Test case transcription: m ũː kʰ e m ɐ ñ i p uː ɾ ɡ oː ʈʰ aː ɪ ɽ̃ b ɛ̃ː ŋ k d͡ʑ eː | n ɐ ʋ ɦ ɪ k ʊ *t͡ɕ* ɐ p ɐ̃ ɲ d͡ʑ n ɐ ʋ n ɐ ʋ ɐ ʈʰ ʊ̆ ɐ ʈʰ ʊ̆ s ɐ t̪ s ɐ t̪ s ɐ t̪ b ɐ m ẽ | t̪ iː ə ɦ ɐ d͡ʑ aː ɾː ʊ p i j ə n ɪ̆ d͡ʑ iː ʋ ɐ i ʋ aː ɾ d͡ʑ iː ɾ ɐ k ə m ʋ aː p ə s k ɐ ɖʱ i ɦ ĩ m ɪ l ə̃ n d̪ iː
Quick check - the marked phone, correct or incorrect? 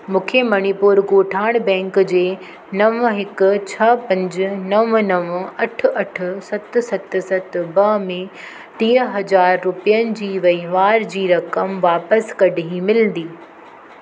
incorrect